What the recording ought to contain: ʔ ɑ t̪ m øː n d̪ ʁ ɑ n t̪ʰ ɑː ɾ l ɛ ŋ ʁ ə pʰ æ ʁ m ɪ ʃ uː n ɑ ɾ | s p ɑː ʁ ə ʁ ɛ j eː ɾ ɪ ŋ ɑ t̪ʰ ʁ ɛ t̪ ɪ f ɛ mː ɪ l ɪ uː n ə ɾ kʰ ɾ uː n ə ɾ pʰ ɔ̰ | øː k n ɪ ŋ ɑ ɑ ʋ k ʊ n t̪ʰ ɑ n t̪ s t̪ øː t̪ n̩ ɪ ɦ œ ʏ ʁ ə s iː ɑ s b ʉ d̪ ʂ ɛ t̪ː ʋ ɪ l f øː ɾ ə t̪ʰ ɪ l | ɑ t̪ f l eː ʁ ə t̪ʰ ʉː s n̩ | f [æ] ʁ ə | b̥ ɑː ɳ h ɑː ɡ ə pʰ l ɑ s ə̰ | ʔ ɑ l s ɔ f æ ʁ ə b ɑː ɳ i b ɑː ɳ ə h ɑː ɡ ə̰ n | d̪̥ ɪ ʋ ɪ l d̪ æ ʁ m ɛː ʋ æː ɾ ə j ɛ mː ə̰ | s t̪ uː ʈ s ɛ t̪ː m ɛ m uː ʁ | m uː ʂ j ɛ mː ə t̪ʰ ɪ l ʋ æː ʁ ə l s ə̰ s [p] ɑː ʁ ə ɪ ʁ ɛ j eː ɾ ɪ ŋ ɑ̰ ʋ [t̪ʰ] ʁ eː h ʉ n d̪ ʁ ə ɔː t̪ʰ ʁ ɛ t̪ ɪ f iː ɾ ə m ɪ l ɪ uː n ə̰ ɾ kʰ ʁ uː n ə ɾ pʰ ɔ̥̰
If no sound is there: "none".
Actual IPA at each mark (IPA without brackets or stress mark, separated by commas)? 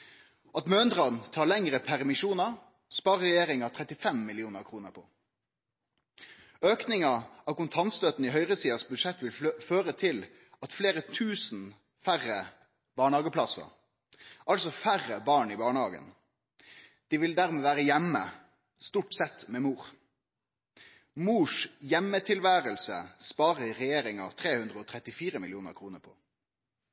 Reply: æ, p, t̪ʰ